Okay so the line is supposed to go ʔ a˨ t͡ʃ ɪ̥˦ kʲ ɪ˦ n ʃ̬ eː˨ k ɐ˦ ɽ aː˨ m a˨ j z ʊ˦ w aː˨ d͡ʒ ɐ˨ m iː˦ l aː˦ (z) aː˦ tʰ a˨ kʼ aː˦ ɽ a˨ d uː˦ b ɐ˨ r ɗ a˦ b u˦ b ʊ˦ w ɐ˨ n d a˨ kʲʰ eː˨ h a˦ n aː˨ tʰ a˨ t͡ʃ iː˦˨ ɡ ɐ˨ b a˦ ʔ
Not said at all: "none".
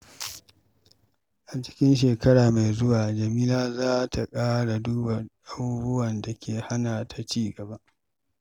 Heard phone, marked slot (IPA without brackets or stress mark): z